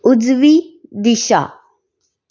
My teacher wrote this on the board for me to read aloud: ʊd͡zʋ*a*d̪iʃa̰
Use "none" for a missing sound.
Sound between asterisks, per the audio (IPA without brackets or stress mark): i